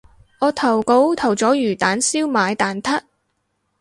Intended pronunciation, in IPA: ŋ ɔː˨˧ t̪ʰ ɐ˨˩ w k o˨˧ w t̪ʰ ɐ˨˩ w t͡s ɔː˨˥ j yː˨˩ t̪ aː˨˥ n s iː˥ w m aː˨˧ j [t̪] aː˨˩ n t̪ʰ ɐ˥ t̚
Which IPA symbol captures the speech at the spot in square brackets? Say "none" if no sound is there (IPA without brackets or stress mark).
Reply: t̪